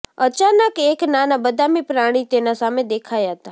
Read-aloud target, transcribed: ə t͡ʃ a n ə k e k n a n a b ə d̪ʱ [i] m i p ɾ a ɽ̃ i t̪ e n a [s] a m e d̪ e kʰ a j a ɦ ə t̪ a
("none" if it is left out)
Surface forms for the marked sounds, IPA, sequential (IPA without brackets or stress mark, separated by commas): a, s